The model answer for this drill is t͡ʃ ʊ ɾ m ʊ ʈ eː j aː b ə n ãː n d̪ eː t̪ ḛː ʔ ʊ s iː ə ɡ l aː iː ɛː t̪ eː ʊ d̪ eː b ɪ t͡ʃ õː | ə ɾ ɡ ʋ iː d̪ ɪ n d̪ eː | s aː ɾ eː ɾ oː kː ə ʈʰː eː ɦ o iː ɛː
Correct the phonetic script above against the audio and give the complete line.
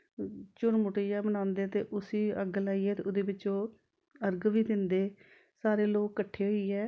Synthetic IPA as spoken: t͡ʃ ʊ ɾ m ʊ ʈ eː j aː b ə n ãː n d̪ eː t̪ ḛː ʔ ʊ s iː ə ɡ l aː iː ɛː t̪ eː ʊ d̪ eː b ɪ t͡ʃ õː | ə ɾ ɡ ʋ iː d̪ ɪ n d̪ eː | s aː ɾ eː l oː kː ə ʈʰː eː ɦ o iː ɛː